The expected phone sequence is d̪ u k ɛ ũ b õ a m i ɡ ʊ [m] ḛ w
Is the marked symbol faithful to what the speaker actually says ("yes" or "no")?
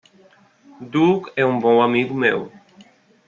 yes